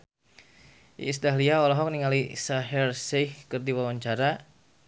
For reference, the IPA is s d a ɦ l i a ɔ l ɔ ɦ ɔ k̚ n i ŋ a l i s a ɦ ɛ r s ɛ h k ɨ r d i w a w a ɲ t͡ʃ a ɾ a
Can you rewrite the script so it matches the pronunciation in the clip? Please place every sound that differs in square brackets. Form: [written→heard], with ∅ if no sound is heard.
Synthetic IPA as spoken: s d a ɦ l i a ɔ l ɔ ɦ ɔ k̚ n i ŋ a l i s a ɦ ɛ r s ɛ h k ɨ r d i w a w a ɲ t͡ʃ a ɾ a

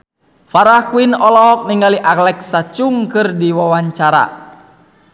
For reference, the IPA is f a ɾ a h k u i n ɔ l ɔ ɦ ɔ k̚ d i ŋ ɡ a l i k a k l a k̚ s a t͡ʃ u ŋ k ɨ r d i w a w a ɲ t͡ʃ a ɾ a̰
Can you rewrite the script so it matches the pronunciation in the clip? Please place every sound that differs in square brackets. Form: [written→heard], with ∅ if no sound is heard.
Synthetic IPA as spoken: f a ɾ a h k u i n ɔ l ɔ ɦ ɔ k̚ [d→n] i ŋ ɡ a l i [k→ʔ] a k l [a→ɛ] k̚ s a t͡ʃ u ŋ k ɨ r d i w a w a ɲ t͡ʃ a ɾ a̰

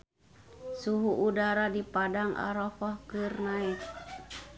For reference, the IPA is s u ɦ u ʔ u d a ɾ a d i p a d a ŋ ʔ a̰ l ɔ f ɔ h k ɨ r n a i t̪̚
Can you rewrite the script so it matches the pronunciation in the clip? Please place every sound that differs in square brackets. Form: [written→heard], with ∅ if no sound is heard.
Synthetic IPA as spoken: s u ɦ u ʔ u d a ɾ a d i p a d a ŋ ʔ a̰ [l→ɾ] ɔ f ɔ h k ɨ r n a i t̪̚

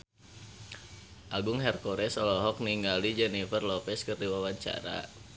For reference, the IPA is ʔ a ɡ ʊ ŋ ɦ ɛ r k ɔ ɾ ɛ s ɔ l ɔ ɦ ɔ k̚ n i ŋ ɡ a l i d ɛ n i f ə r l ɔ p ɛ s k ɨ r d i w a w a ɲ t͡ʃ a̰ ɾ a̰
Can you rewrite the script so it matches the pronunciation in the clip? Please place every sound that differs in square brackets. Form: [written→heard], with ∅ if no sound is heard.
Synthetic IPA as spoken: ʔ a ɡ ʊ ŋ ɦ ɛ r k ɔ ɾ ɛ s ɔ l ɔ ɦ ɔ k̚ n i ŋ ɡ a l i [d→d͡ʒ] ɛ n i f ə r l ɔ p ɛ s k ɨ r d i w a w a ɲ t͡ʃ a̰ ɾ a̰

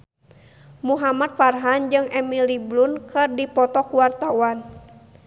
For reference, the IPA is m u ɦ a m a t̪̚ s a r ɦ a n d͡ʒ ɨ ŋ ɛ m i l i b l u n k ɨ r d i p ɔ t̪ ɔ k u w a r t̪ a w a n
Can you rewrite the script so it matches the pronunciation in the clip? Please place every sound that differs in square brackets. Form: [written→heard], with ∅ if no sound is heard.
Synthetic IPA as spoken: m u ɦ a m a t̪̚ [s→f] a r ɦ a n d͡ʒ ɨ ŋ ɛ m i l i b l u n k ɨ r d i p ɔ t̪ ɔ k u w a r t̪ a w a n

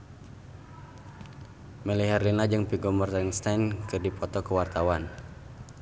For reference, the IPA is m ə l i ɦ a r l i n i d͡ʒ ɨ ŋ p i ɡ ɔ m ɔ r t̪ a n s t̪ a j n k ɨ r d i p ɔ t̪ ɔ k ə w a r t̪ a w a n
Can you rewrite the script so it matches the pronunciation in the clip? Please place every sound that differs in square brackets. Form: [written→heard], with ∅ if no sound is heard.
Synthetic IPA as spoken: m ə l i ɦ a r l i n [i→a] d͡ʒ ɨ ŋ p i ɡ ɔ m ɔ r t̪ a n s t̪ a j n k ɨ r d i p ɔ t̪ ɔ k ə w a r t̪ a w a n

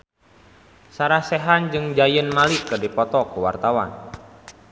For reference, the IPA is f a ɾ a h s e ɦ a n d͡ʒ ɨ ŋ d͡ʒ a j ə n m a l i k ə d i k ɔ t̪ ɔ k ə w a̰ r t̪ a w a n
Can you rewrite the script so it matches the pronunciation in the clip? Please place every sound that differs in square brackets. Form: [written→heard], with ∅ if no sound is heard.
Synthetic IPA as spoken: [f→s] a ɾ a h s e ɦ a n d͡ʒ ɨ ŋ d͡ʒ a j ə n m a l i k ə d i [k→p] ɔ t̪ ɔ k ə w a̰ r t̪ a w a n

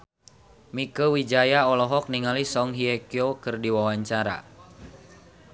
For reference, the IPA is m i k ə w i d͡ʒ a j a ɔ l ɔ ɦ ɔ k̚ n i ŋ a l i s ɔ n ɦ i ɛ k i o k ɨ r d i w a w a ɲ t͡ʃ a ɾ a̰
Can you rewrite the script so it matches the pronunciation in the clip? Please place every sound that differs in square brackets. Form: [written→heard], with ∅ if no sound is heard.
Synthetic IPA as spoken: m i k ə w i d͡ʒ a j a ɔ l ɔ ɦ ɔ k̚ n i ŋ a l i s ɔ [n→ŋ] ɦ i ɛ k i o k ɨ r d i w a w a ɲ t͡ʃ a ɾ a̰

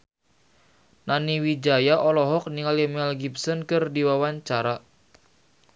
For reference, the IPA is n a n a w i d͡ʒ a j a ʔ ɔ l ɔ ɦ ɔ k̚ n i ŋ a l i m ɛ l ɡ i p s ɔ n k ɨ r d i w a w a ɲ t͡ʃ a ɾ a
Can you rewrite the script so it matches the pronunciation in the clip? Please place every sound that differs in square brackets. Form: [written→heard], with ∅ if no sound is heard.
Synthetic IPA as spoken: n a n [a→i] w i d͡ʒ a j a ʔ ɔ l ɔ ɦ ɔ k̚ n i ŋ a l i m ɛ l ɡ i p s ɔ n k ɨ r d i w a w a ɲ t͡ʃ a ɾ a

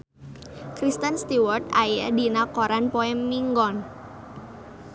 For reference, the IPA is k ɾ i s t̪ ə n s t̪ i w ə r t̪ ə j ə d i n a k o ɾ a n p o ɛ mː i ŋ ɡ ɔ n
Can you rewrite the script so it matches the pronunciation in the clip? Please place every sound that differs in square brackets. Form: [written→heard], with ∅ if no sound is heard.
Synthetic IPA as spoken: k ɾ i s t̪ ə n s t̪ i w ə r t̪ [ə→a] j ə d i n a k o ɾ a n p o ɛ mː i ŋ ɡ ɔ n

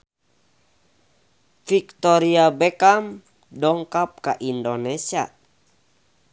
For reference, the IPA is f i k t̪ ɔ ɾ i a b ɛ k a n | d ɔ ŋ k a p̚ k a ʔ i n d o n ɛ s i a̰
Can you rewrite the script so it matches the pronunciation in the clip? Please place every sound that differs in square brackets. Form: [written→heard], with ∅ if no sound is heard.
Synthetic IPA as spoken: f i k t̪ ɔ ɾ i a b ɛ k a [n→m] | d ɔ ŋ k a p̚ k a ʔ i n d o n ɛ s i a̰

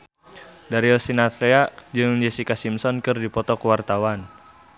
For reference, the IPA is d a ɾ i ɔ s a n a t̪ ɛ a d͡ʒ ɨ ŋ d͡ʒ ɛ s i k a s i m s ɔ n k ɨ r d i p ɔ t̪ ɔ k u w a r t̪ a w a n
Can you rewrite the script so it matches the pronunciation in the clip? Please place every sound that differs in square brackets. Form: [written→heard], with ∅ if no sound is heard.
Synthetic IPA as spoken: d a ɾ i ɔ s [a→i] n a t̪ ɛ a d͡ʒ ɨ ŋ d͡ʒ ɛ s i k a s i m s ɔ n k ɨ r d i p ɔ t̪ ɔ k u w a r t̪ a w a n

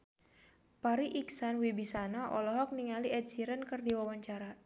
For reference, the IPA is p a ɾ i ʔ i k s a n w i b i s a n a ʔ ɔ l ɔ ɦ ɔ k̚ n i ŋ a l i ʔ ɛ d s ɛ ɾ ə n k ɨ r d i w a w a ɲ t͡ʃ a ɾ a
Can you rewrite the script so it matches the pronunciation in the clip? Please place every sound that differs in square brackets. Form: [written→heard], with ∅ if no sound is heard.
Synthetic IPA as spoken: p a ɾ i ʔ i k s a n w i b i s a n a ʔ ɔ l ɔ ɦ ɔ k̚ n i ŋ a l i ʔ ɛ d s [ɛ→i] ɾ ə n k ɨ r d i w a w a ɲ t͡ʃ a ɾ a

